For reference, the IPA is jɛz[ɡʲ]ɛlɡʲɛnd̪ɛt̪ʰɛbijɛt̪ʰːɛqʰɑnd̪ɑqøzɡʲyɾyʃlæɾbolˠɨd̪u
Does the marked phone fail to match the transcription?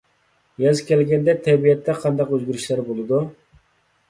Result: yes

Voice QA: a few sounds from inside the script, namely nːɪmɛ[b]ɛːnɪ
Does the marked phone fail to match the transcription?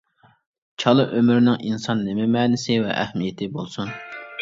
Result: yes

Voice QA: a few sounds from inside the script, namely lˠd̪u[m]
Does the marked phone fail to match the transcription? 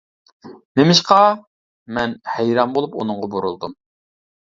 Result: no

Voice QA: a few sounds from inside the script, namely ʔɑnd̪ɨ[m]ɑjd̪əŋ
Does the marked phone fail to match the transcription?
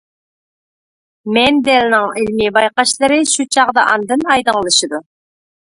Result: yes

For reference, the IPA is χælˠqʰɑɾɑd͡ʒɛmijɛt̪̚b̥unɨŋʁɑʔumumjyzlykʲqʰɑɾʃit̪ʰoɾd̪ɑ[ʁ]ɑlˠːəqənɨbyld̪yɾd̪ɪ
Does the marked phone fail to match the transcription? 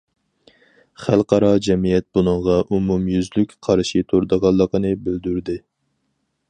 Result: no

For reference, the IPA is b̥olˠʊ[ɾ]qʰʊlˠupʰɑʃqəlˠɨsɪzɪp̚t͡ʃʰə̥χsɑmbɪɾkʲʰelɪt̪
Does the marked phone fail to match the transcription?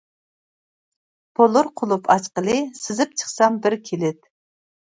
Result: no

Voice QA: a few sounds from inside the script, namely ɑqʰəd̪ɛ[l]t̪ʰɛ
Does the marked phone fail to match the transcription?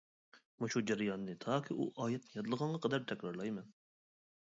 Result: yes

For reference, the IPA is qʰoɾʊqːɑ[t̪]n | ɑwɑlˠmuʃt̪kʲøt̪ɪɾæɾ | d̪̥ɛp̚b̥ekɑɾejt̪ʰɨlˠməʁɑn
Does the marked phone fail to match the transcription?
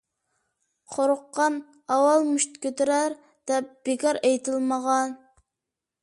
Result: yes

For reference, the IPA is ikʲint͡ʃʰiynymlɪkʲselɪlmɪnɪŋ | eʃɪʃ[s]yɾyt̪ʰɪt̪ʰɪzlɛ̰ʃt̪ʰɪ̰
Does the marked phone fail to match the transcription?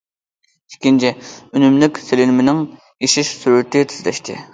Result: no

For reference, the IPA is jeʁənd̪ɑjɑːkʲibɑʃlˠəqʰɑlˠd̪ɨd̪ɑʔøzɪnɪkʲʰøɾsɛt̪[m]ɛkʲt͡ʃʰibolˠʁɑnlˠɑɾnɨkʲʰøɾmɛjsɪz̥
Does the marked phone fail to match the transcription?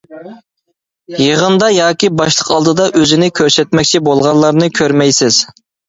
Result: no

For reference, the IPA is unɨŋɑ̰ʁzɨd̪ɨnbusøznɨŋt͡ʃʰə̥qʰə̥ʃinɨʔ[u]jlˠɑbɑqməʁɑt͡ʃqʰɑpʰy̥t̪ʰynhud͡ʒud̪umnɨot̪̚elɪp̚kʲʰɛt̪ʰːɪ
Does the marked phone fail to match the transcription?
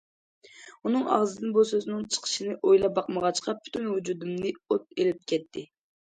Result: yes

